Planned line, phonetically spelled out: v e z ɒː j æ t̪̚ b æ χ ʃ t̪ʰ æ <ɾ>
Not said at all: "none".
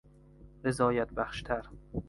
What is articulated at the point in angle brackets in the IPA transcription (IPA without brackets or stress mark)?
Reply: ɾ